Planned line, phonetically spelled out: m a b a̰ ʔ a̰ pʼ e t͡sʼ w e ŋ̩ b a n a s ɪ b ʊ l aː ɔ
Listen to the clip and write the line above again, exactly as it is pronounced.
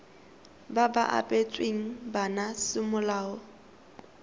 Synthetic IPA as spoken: b a b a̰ ʔ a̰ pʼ e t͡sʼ w e ŋ̩ b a n a s ɪ m ʊ l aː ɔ